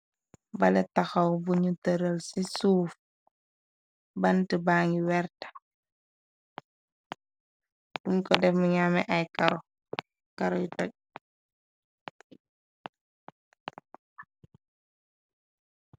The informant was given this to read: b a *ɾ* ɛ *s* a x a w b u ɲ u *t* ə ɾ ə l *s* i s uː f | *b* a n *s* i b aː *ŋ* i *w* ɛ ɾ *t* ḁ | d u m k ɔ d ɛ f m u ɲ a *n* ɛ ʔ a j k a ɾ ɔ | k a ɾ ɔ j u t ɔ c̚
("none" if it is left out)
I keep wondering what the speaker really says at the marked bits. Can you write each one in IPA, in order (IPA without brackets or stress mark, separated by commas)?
l, t, t, s, b, t, ŋ, w, t, m